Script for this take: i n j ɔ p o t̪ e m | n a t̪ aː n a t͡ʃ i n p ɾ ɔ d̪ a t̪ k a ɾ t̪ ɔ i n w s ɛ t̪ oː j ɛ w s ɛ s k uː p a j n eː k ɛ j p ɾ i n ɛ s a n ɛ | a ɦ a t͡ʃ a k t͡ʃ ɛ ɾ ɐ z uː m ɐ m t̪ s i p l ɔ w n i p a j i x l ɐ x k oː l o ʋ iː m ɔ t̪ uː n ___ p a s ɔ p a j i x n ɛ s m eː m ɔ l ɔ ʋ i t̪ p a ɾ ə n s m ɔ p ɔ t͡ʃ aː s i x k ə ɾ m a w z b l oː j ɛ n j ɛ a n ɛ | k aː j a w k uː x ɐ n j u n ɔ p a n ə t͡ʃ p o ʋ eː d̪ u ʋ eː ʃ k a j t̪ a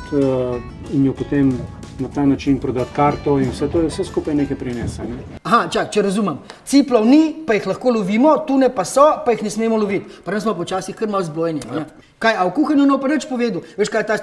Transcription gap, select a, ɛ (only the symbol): ɛ